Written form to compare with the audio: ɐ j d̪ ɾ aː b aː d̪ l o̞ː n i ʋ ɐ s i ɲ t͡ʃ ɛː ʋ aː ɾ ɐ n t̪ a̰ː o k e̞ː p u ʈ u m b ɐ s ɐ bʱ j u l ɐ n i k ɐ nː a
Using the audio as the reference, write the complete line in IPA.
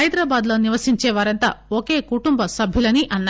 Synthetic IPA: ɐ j d̪ ɾ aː b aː d̪ l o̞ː n i ʋ ɐ s i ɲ t͡ʃ ɛː ʋ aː ɾ ɐ n t̪ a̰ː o k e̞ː k u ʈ u m b ɐ s ɐ bʱ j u l ɐ n i ʔ ɐ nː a

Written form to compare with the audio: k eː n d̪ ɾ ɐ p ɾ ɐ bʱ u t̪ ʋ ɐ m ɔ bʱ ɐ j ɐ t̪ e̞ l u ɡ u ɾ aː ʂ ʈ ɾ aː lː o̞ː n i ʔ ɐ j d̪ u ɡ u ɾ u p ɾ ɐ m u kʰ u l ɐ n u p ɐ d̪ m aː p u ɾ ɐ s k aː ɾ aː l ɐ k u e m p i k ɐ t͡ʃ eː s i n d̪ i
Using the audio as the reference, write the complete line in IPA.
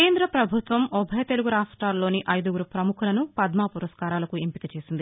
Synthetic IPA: k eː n d̪ ɾ ɐ p ɾ ɐ bʱ u t̪ ʋ ɐ m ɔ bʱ ɐ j ɐ t̪ e̞ l u ɡ u ɾ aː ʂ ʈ ɾ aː lː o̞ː n i ʔ ɐ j d̪ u ɡ u ɾ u p ɾ ɐ m u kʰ u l ɐ n u p ɐ d̪ m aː p u ɾ ɐ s k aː ɾ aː l ɐ k u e m p i k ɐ t͡ʃ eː s i n d̪ i

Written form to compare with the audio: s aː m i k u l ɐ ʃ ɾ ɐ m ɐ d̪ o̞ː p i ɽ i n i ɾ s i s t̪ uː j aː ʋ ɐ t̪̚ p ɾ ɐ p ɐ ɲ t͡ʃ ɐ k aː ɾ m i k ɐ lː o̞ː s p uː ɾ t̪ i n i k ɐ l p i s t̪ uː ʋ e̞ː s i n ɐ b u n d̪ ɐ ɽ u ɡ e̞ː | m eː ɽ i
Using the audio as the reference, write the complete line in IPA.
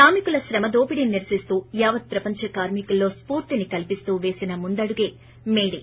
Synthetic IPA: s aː m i k u l ɐ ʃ ɾ ɐ m ɐ d̪ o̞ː p i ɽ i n i ɾ s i s t̪ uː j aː ʋ ɐ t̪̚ p ɾ ɐ p ɐ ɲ t͡ʃ ɐ k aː ɾ m i k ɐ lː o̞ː s p uː ɾ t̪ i n i k ɐ l p i s t̪ uː ʋ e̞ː s i n ɐ m u n d̪ ɐ ɽ u ɡ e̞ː | m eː ɽ i

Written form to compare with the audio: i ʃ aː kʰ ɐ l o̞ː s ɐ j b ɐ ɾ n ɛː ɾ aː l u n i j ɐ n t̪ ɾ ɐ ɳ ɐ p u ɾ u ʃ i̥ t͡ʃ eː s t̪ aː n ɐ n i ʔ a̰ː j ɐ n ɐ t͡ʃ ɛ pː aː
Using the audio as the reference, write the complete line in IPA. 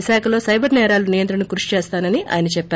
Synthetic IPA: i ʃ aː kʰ ɐ l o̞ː s ɐ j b ɐ ɾ n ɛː ɾ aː l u n i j ɐ n t̪ ɾ ɐ ɳ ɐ k u ɾ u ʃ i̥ t͡ʃ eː s t̪ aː n ɐ n i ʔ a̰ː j ɐ n ɐ t͡ʃ ɛ pː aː

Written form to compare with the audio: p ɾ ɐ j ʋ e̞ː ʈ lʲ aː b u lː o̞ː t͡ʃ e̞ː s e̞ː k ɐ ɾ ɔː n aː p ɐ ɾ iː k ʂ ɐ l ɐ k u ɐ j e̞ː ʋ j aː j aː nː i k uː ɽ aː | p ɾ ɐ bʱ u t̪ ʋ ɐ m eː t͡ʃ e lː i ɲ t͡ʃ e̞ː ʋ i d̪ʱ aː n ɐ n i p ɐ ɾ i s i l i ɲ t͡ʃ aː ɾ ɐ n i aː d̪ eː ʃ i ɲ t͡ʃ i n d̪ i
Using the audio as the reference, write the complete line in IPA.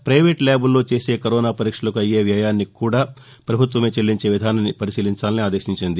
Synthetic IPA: p ɾ ɐ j ʋ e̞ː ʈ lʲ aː b u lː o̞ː t͡ʃ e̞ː s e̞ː k ɐ ɾ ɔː n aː p ɐ ɾ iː k ʂ ɐ l ɐ k u ɐ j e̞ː ʋ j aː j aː nː i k uː ɽ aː | p ɾ ɐ bʱ u t̪ ʋ ɐ m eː t͡ʃ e lː i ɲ t͡ʃ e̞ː ʋ i d̪ʱ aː n ɐ n i p ɐ ɾ i s iː l i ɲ t͡ʃ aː l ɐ n i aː d̪ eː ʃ i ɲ t͡ʃ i n d̪ i

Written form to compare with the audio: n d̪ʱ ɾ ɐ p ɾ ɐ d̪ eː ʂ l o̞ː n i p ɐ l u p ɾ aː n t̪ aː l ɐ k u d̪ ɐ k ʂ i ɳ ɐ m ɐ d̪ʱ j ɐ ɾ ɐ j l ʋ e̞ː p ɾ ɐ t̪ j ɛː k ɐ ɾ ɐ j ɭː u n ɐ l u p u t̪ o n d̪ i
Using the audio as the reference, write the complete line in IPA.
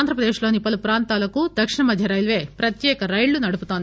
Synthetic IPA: n d̪ʱ ɾ ɐ p ɾ ɐ d̪ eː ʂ l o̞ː n i p ɐ l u p ɾ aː n t̪ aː l ɐ k u d̪ ɐ k ʂ i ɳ ɐ m ɐ d̪ʱ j ɐ ɾ ɐ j l ʋ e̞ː p ɾ ɐ t̪ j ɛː k ɐ ɾ ɐ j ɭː u n ɐ ɽ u p u t̪ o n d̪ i

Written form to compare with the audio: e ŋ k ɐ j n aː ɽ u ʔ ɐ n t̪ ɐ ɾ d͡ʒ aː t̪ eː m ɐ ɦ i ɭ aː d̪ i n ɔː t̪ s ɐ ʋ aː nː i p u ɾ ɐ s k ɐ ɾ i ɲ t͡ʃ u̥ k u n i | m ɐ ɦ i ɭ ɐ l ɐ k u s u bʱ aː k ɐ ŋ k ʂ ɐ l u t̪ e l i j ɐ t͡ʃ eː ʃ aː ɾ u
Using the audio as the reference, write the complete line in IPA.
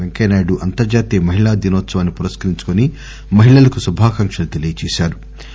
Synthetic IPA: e ŋ k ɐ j n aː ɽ u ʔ ɐ n t̪ ɐ ɾ d͡ʒ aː t̪ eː m ɐ ɦ i ɭ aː d̪ i n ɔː t̪ s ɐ ʋ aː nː i p u ɾ ɐ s k ɐ ɾ i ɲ t͡ʃ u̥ k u n i | m ɐ ɦ i ɭ ɐ l ɐ k u s u bʱ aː k ɐ ŋ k ʂ ɐ l u t̪ e l i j ɐ t͡ʃ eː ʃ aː ɾ u

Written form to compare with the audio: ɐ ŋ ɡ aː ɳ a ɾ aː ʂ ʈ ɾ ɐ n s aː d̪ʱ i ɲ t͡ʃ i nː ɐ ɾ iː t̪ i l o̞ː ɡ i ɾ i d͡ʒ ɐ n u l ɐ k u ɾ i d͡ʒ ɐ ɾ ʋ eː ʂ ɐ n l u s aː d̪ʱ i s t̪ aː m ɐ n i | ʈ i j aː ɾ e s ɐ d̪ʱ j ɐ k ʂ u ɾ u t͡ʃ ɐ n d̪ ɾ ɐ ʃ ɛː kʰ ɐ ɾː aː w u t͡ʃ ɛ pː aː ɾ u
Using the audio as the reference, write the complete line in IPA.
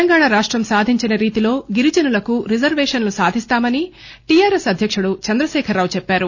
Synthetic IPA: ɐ ŋ ɡ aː ɳ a ɾ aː ʂ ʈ ɾ ɐ m s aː d̪ʱ i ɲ t͡ʃ i n ɐ ɾ iː t̪ i l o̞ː ɡ i ɾ i d͡ʒ ɐ n u l ɐ k u ɾ i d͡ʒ ɐ ɾ ʋ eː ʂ ɐ n l u s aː d̪ʱ i s t̪ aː m ɐ n i | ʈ i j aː ɾ e s ɐ d̪ʱ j ɐ k ʂ u ɽ u t͡ʃ ɐ n d̪ ɾ ɐ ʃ ɛː kʰ ɐ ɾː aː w u t͡ʃ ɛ pː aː ɾ u

